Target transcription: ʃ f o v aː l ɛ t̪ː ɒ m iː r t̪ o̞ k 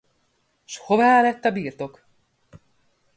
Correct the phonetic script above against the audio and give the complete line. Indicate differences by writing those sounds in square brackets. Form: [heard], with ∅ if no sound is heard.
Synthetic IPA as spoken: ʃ [h] o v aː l ɛ t̪ː ɒ [b] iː r t̪ o̞ k

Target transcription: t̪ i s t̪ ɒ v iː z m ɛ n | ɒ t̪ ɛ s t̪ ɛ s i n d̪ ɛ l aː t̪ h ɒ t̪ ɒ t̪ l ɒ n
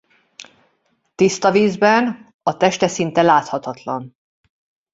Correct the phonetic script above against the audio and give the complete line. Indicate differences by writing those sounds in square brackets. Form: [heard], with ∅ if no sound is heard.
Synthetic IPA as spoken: t̪ i s t̪ ɒ v iː z [b] ɛ n | ɒ t̪ ɛ [ʃ] t̪ ɛ s i n [t̪] ɛ l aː t̪ h ɒ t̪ ɒ t̪ l ɒ n

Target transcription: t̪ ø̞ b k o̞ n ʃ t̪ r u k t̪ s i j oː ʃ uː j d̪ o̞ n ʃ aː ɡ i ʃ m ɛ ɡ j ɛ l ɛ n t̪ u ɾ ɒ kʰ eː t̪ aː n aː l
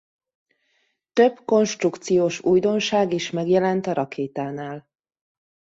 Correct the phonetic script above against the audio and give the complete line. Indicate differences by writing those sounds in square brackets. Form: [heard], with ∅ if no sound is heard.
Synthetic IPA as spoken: t̪ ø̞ b k o̞ n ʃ t̪ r u k t̪ s i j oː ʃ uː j d̪ o̞ n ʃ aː ɡ i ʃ m ɛ ɡ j ɛ l ɛ n t̪ [ɒ] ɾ ɒ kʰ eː t̪ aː n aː l

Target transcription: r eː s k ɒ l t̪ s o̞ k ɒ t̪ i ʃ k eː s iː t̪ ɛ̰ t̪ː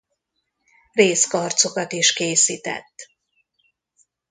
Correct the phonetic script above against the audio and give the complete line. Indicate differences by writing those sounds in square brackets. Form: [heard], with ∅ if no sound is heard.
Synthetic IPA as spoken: r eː s k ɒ [r] t̪ s o̞ k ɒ t̪ i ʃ k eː s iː t̪ ɛ̰ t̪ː

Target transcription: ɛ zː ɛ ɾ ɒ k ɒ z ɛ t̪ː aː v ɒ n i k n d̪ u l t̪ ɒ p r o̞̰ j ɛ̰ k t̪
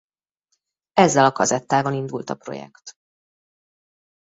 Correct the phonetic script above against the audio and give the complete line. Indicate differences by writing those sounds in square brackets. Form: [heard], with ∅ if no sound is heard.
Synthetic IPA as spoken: ɛ zː ɛ [l] ɒ k ɒ z ɛ t̪ː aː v ɒ n i [∅] n d̪ u l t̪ ɒ p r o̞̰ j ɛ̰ k t̪

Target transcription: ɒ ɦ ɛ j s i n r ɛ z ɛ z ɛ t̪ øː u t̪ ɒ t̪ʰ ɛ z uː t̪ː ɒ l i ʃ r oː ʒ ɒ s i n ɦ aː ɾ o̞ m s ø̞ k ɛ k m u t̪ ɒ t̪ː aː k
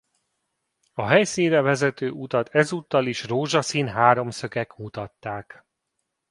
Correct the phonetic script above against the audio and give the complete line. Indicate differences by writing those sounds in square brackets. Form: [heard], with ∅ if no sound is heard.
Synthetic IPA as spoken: ɒ ɦ ɛ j s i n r ɛ [v] ɛ z ɛ t̪ øː u t̪ ɒ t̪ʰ ɛ z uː t̪ː ɒ l i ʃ r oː ʒ ɒ s i n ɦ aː ɾ o̞ m s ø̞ k ɛ k m u t̪ ɒ t̪ː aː k

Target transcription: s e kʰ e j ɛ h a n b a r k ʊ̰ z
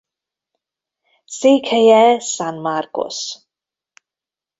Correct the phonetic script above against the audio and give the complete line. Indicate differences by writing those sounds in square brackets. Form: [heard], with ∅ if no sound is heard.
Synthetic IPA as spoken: s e kʰ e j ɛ [s] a n [m] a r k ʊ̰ [s]

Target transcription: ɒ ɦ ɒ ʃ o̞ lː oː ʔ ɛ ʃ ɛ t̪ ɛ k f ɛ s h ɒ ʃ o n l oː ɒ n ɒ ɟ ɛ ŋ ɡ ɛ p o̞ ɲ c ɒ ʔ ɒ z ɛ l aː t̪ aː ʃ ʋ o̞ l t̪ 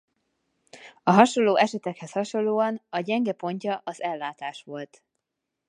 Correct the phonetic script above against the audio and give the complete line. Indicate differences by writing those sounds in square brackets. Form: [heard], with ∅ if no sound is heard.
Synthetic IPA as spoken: ɒ ɦ ɒ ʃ o̞ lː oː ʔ ɛ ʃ ɛ t̪ ɛ k [h] ɛ s h ɒ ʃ o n l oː ɒ n ɒ ɟ ɛ ŋ ɡ ɛ p o̞ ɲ c ɒ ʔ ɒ z ɛ [lː] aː t̪ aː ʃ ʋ o̞ l t̪

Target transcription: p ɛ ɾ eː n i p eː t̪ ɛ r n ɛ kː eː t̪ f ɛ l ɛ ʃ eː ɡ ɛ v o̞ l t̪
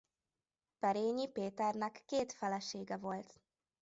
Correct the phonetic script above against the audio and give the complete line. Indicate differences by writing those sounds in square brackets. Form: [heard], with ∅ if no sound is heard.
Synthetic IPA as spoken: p ɛ ɾ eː [ɲ] i p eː t̪ ɛ r n ɛ kː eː t̪ f ɛ l ɛ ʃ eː ɡ ɛ v o̞ l t̪

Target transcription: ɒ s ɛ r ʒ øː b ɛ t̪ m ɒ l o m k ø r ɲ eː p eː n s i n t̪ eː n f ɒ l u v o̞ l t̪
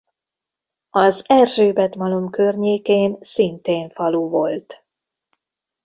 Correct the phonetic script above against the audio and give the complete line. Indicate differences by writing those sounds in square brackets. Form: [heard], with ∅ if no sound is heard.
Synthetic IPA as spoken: ɒ [z] ɛ r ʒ øː b ɛ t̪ m ɒ l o m k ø r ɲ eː [k] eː n s i n t̪ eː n f ɒ l u v o̞ l t̪

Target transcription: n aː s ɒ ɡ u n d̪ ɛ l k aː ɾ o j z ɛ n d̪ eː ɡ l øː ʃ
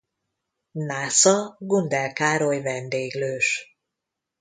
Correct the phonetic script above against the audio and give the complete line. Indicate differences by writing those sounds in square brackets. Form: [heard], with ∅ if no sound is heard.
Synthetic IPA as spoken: n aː s ɒ ɡ u n d̪ ɛ l k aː ɾ o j [v] ɛ n d̪ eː ɡ l øː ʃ

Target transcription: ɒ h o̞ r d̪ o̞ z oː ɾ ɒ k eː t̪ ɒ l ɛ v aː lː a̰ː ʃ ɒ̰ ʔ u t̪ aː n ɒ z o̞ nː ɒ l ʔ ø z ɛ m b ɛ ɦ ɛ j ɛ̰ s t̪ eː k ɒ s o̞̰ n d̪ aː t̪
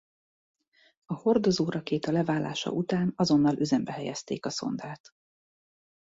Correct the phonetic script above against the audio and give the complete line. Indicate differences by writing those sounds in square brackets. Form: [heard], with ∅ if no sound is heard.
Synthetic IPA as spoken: ɒ h o̞ r d̪ o̞ z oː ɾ ɒ k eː t̪ ɒ l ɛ v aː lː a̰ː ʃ ɒ̰ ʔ u t̪ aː n ɒ z o̞ nː ɒ l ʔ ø z ɛ m b ɛ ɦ ɛ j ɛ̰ s t̪ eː k ɒ s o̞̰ n d̪ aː t̪

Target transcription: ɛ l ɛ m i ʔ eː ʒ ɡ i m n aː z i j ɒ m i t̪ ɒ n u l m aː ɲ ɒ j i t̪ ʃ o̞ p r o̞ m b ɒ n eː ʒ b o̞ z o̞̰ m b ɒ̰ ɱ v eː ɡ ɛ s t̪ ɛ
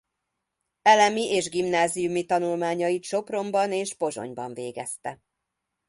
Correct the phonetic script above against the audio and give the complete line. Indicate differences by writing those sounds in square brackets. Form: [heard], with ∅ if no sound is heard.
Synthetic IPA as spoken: ɛ l ɛ m i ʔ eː ʒ ɡ i m n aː z i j [u] m i t̪ ɒ n u l m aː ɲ ɒ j i t̪ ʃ o̞ p r o̞ m b ɒ n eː ʒ b o̞ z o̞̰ [ɲ] b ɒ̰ ɱ v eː ɡ ɛ s t̪ ɛ

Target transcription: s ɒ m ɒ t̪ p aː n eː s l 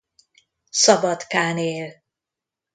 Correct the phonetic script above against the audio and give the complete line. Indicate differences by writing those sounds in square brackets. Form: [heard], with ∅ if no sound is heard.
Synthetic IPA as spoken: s ɒ [b] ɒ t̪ [k] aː n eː [∅] l

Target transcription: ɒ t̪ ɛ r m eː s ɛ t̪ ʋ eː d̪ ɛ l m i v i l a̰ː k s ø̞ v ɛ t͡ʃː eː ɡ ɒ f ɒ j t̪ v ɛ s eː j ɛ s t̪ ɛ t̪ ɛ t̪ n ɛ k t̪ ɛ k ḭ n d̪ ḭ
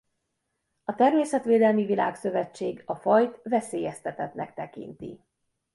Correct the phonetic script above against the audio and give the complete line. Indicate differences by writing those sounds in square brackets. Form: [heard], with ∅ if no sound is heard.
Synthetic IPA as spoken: ɒ t̪ ɛ r m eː s ɛ t̪ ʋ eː d̪ ɛ l m i v i l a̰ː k s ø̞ v ɛ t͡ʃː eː ɡ ɒ f ɒ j t̪ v ɛ s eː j ɛ s t̪ ɛ t̪ ɛ t̪ n ɛ k t̪ ɛ k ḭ n [t̪] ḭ

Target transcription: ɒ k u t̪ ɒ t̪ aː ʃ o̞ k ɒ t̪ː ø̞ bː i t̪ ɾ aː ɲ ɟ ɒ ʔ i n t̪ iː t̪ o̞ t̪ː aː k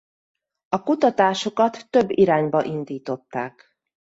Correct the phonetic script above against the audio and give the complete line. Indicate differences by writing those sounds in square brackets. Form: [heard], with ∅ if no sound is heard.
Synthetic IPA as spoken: ɒ k u t̪ ɒ t̪ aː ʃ o̞ k ɒ t̪ː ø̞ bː i [∅] ɾ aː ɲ [b] ɒ ʔ i n [d̪] iː t̪ o̞ t̪ː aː k

